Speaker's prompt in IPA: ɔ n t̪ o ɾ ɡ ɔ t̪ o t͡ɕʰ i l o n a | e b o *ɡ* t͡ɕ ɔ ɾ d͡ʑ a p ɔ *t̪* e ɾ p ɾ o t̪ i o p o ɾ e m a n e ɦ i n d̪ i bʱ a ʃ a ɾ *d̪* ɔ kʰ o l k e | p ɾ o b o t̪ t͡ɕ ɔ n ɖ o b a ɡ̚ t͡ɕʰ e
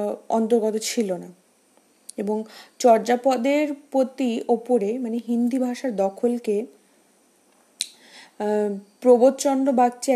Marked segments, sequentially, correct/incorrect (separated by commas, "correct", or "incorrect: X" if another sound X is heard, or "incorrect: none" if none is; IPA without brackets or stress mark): incorrect: ŋ, incorrect: d̪, correct